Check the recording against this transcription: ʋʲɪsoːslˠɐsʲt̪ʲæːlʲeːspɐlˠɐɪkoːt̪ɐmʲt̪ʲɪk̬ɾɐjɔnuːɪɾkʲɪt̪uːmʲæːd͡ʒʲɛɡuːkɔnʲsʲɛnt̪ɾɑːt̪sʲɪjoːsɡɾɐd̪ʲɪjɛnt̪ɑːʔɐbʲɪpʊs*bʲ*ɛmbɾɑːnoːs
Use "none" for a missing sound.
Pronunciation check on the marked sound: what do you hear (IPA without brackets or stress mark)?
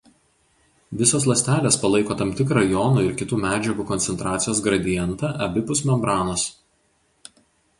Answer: mʲ